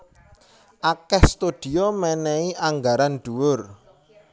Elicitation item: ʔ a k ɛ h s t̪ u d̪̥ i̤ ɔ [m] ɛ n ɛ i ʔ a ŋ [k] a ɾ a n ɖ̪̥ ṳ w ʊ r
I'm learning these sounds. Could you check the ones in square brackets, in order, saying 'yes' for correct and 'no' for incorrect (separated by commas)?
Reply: yes, no